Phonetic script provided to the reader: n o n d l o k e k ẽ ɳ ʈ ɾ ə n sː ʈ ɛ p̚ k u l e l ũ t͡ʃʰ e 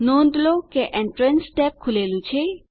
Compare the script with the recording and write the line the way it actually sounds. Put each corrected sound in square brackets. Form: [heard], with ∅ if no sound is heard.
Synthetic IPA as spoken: n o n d l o k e [ʔ] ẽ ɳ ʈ ɾ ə n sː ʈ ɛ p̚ [kʰ] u l e l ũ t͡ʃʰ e